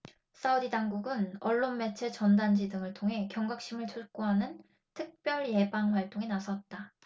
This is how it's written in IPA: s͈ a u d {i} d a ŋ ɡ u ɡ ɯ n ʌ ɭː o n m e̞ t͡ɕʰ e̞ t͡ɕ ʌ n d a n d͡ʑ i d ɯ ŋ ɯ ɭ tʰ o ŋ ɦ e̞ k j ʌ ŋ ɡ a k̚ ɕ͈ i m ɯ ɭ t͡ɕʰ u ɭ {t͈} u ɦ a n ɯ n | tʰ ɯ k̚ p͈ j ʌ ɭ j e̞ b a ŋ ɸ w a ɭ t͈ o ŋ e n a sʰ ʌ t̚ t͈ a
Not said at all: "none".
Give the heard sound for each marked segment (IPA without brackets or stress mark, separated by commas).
i, k͈